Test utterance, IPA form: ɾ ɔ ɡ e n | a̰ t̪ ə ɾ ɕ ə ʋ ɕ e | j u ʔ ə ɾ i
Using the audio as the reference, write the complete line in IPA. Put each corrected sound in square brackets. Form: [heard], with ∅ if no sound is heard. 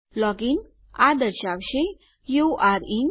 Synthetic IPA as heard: [l] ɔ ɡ [i] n | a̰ [d̪] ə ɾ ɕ [a] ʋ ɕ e | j u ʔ [a] ɾ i